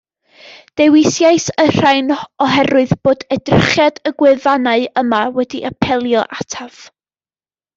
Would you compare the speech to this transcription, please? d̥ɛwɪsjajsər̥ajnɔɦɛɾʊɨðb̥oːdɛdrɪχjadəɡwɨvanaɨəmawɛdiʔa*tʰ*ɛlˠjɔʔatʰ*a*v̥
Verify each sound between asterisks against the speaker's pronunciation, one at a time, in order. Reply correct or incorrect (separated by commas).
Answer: incorrect, correct